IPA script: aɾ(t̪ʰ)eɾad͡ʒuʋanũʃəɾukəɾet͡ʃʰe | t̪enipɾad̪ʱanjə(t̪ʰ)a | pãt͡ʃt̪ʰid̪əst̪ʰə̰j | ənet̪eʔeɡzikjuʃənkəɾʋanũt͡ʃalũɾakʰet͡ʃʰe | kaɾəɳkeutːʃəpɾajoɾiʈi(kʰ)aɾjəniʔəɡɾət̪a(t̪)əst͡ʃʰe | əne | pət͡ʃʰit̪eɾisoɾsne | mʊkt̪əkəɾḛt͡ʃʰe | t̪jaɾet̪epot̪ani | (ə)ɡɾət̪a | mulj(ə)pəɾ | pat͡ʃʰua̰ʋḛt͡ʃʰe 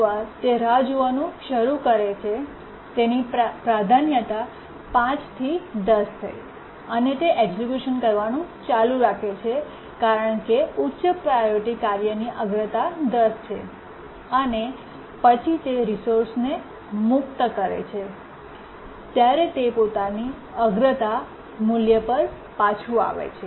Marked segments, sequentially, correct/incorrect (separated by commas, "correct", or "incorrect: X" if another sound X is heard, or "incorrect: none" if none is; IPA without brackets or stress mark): incorrect: t̪, incorrect: t̪, incorrect: k, incorrect: d̪, correct, correct